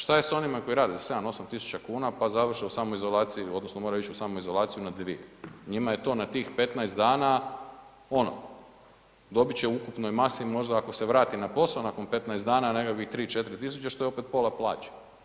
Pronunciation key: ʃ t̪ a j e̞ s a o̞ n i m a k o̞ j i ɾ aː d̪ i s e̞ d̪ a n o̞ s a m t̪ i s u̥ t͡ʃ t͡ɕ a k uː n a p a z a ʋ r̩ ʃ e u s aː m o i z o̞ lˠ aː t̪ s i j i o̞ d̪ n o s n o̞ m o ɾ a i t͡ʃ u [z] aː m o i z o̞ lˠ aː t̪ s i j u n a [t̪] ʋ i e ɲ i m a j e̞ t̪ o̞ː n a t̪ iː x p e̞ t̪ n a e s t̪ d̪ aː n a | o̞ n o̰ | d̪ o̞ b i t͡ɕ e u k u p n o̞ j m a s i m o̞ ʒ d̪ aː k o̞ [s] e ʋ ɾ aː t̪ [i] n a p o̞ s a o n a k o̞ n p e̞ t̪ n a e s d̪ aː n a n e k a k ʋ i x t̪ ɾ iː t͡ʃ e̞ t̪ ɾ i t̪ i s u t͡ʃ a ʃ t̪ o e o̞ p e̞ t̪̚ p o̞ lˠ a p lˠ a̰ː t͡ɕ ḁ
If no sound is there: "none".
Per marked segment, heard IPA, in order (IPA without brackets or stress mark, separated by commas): s, d̪, s, i